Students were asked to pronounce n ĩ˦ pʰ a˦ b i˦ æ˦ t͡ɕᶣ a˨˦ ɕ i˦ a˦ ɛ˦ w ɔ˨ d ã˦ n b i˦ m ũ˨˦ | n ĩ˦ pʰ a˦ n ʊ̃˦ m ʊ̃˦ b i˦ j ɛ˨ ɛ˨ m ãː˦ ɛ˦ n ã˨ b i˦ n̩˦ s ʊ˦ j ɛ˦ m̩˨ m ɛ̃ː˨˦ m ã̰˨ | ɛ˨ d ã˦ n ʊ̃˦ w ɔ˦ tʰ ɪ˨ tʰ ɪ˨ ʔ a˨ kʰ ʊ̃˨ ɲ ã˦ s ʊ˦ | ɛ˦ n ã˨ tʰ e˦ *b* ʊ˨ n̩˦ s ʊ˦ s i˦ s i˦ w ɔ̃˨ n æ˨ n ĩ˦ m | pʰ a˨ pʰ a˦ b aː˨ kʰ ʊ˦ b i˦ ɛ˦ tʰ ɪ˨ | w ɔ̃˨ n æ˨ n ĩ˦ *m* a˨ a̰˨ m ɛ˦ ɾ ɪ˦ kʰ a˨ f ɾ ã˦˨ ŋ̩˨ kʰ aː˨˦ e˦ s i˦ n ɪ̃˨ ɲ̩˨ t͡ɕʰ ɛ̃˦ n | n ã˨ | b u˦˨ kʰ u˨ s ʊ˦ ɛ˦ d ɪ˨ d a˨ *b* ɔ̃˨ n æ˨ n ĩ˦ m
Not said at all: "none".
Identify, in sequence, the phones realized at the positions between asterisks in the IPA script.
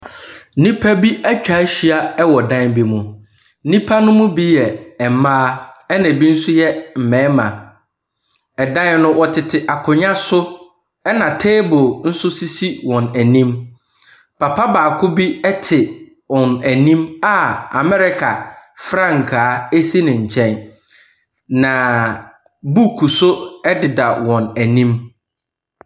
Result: b, m, w

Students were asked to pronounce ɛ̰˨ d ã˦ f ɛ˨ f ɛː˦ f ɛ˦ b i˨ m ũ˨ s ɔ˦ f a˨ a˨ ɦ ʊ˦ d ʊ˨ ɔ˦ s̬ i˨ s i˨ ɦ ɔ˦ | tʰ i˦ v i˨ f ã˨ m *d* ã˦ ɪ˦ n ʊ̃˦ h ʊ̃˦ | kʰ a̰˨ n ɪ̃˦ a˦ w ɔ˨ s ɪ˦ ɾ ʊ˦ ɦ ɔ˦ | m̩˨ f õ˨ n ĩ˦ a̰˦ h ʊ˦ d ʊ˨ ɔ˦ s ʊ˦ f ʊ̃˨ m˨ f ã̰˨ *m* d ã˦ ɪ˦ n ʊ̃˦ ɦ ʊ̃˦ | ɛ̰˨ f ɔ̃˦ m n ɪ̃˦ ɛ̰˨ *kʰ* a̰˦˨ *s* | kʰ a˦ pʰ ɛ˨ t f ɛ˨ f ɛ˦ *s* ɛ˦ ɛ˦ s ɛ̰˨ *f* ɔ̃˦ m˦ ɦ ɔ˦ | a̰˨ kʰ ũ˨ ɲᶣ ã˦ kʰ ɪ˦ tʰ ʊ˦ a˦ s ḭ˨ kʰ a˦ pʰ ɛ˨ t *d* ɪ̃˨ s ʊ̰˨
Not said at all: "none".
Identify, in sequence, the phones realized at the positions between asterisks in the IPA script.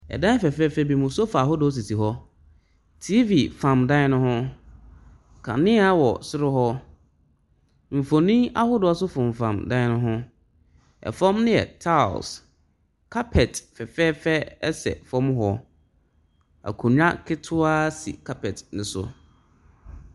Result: d, m, tʰ, s, f, f, n

